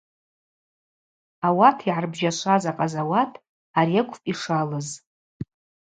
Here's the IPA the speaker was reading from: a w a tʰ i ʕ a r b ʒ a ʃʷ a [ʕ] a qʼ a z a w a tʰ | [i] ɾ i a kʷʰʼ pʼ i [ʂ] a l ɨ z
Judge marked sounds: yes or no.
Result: no, no, yes

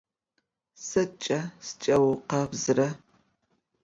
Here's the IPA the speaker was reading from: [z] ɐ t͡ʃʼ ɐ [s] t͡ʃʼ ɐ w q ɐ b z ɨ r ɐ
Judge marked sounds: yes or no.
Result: no, yes

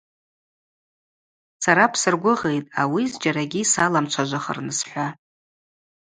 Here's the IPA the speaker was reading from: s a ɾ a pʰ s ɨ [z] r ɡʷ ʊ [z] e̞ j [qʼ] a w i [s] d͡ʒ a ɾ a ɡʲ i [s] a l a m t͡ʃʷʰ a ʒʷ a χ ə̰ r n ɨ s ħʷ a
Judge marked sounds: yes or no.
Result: no, no, no, no, yes

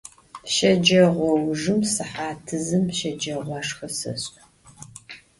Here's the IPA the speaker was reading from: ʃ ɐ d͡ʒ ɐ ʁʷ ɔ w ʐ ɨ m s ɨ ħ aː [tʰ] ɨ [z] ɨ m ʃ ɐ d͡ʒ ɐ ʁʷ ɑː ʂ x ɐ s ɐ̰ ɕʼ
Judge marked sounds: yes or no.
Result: yes, yes

